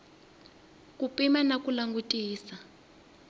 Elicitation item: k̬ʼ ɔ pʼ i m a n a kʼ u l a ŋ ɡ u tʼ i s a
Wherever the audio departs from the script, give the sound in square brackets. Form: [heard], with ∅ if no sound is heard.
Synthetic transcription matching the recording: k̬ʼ [u] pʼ i m a n a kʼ u l a ŋ ɡ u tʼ [iː] s a